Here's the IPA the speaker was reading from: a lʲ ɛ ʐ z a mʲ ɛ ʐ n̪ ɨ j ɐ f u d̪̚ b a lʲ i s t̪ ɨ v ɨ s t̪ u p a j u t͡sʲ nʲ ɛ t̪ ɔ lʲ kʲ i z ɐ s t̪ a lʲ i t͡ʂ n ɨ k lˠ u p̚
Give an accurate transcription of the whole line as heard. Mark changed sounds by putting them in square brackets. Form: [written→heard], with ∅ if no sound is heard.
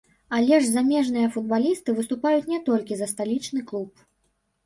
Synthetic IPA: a lʲ ɛ ʐ z a mʲ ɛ ʐ n̪ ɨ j ɐ f u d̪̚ b a lʲ i s t̪ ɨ v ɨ s t̪ u p a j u t͡sʲ nʲ ɛ t̪ ɔ lʲ kʲ i z ɐ s t̪ a lʲ i t͡ʂ n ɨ k lˠ u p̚